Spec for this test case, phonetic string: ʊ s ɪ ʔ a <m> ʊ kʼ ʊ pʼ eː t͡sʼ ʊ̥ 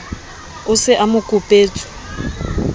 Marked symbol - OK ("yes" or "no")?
yes